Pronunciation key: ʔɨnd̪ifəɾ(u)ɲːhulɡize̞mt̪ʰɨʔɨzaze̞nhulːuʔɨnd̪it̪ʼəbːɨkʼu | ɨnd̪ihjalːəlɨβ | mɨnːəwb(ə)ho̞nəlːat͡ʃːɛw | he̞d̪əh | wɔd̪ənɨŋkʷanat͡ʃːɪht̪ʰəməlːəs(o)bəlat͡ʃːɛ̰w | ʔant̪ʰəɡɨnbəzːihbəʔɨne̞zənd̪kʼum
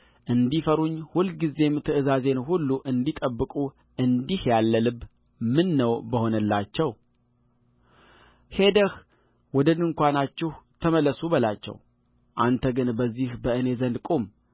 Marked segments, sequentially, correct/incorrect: correct, correct, incorrect: u

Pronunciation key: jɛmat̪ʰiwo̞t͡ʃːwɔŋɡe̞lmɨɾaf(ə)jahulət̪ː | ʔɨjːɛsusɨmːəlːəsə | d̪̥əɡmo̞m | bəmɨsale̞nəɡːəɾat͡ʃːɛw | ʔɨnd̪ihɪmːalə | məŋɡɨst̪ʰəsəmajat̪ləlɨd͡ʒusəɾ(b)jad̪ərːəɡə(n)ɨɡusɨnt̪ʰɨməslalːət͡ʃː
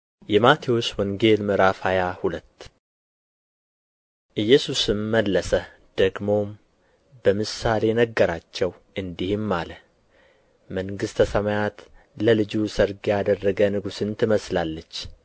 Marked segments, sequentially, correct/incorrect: incorrect: a, incorrect: ɡ, correct

